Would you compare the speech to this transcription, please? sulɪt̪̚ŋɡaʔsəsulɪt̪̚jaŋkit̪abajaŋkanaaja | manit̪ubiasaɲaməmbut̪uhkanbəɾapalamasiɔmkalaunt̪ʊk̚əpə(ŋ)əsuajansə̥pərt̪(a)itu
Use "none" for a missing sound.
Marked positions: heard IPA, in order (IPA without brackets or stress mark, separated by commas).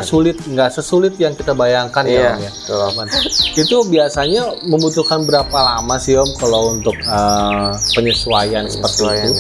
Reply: ɲ, i